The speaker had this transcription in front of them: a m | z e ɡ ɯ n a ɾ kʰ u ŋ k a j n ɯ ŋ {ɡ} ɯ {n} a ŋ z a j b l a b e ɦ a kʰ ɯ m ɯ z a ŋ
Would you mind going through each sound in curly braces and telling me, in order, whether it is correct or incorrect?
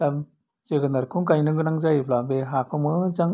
correct, correct

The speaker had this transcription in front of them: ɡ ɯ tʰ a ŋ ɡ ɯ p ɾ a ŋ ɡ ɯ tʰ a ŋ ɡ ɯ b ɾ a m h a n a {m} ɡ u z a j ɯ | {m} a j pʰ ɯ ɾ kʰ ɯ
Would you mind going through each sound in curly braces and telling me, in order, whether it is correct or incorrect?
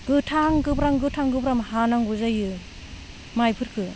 incorrect: ŋ, correct

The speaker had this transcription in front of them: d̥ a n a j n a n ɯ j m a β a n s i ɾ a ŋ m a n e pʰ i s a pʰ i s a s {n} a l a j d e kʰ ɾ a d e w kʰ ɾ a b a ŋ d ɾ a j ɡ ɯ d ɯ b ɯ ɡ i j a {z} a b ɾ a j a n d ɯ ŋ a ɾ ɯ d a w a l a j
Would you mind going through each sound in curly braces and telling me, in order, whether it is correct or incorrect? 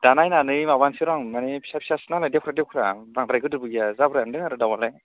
correct, correct

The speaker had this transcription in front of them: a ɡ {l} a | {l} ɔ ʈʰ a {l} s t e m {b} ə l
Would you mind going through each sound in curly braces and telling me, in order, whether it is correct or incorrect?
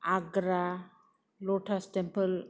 incorrect: ɾ, correct, incorrect: none, incorrect: p

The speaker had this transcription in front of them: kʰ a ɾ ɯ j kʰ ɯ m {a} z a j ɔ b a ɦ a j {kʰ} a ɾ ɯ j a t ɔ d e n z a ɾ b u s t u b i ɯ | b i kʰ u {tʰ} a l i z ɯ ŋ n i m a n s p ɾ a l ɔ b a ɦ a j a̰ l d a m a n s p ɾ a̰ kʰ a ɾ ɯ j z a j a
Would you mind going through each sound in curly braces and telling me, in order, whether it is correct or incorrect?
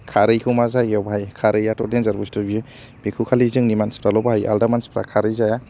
correct, correct, incorrect: kʰ

